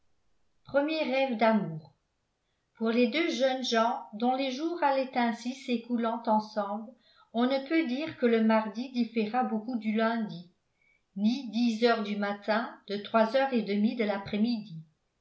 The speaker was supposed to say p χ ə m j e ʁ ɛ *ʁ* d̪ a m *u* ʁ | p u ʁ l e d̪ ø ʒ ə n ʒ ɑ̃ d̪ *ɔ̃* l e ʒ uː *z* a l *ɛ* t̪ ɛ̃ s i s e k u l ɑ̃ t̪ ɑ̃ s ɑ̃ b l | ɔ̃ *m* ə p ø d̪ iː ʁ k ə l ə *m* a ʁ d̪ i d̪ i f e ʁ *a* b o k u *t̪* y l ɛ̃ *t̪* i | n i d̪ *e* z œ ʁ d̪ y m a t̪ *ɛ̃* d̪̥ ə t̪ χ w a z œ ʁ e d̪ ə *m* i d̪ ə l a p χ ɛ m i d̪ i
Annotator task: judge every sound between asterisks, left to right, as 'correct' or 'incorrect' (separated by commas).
incorrect, incorrect, correct, incorrect, correct, incorrect, correct, correct, incorrect, incorrect, incorrect, correct, correct